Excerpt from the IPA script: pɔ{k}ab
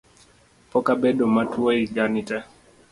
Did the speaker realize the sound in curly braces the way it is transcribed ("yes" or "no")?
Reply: yes